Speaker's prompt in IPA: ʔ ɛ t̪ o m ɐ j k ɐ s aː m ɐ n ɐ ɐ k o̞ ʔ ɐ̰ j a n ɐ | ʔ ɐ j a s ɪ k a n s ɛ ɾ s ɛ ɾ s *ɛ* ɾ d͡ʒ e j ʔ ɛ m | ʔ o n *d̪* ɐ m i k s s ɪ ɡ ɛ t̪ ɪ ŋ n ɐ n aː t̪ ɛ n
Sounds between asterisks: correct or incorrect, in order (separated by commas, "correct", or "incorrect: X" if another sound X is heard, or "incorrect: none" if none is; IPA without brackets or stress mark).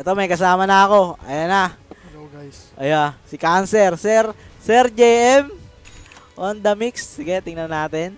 correct, correct